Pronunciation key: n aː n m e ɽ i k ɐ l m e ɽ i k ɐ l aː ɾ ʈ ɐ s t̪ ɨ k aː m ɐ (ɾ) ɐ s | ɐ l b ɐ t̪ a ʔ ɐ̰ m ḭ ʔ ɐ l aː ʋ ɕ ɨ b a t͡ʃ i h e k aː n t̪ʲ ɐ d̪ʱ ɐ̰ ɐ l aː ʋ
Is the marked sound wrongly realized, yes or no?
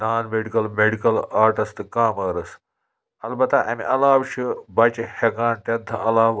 no